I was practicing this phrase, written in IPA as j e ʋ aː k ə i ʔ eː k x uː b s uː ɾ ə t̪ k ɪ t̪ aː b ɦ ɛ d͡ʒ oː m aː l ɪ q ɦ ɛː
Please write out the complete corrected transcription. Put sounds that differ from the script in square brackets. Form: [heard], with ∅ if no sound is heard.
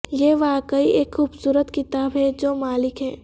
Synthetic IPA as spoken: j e ʋ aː k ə i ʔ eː k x uː b s uː ɾ ə t̪ k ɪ t̪ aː b ɦ ɛ d͡ʒ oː m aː l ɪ [k] ɦ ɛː